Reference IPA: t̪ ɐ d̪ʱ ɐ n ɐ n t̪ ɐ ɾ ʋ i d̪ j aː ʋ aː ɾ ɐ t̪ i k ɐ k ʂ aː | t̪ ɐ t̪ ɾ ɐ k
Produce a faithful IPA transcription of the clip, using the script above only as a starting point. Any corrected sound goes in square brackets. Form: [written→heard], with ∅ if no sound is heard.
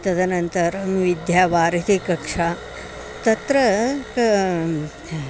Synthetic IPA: t̪ ɐ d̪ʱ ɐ n ɐ n t̪ ɐ ɾ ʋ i d̪ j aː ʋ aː ɾ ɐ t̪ i k ɐ k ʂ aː | t̪ ɐ t̪ ɾ ɐ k